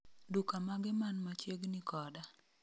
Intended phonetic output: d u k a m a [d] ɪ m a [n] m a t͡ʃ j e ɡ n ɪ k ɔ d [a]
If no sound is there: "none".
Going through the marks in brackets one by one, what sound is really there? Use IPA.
ɡ, n, a

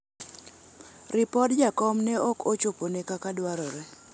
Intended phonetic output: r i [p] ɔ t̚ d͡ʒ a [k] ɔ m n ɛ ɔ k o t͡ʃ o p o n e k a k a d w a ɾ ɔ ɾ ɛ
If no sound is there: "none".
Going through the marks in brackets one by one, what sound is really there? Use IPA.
p, k

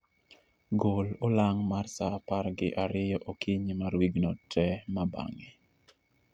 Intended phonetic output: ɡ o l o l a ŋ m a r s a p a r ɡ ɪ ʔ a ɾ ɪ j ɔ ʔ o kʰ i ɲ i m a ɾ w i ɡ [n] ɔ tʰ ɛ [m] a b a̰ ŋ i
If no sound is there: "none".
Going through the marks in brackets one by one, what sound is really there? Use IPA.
n, m

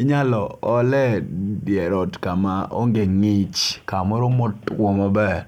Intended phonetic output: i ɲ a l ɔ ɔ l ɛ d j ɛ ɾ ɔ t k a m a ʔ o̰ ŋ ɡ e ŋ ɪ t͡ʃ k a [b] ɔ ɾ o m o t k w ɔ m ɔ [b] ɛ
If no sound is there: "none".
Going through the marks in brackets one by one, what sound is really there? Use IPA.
m, b

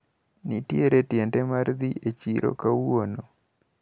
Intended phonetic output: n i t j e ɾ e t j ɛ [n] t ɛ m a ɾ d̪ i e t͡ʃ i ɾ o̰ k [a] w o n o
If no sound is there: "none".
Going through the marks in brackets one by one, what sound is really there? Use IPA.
n, a

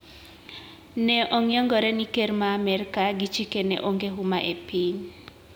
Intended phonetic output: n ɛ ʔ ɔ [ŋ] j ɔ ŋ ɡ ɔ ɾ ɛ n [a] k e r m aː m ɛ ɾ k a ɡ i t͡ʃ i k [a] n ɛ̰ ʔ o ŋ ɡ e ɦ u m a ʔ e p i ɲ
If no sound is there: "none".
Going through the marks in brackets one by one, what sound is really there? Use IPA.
ŋ, i, e

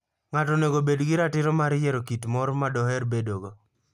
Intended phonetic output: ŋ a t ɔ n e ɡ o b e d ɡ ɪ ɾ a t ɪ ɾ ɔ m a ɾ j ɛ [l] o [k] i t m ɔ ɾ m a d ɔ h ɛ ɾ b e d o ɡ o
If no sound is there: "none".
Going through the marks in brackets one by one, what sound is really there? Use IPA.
ɾ, k

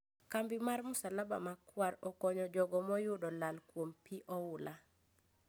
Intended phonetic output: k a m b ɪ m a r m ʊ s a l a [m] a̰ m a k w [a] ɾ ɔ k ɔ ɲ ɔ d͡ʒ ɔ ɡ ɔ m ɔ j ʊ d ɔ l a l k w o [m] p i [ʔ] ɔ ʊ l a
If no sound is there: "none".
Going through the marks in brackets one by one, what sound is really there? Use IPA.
b, a, m, ʔ

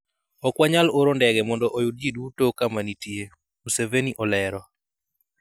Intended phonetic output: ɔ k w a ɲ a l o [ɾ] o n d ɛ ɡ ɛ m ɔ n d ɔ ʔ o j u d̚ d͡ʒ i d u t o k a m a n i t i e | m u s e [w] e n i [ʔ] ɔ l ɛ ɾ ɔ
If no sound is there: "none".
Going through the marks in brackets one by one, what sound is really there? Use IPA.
ɾ, v, ʔ

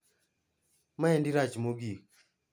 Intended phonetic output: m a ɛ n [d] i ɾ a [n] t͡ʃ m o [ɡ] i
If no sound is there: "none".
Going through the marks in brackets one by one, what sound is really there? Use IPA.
d, none, ɡ

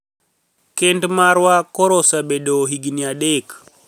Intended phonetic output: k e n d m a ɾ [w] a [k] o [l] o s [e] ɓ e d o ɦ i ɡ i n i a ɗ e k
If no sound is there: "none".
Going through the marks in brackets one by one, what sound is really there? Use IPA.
w, k, ɾ, a

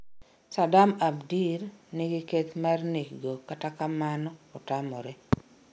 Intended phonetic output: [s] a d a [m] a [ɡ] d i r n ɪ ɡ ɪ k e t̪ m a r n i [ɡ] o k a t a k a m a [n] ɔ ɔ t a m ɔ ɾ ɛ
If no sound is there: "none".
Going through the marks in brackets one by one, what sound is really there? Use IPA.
s, m, b, ɡ, n

